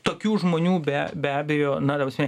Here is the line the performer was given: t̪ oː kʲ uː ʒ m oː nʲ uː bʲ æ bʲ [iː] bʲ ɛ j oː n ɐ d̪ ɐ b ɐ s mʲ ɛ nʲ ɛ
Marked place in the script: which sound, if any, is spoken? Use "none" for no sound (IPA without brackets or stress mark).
æː